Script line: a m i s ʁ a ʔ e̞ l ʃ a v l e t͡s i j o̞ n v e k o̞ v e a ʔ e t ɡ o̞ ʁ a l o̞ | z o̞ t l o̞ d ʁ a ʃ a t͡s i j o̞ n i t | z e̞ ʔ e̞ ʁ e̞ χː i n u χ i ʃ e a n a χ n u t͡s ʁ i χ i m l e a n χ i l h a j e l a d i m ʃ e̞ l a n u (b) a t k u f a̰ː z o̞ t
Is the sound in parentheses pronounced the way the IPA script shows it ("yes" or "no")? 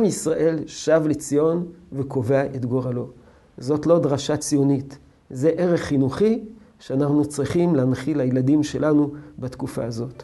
yes